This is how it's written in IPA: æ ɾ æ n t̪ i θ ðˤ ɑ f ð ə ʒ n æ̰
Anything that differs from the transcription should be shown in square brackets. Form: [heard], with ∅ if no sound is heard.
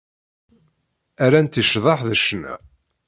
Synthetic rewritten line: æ ɾ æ n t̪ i [ʃ] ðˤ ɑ [ħ] ð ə [ʃ] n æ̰

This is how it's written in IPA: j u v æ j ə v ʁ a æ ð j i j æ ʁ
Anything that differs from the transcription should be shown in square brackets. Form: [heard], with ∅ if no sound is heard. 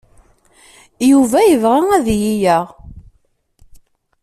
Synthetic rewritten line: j u v æ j ə v ʁ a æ ð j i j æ ʁ

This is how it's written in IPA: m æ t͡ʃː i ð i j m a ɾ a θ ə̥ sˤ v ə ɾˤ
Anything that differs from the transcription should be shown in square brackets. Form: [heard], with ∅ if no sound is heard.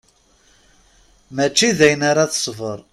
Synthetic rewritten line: m æ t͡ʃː i ð [æ] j [n] a ɾ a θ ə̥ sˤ v ə ɾˤ

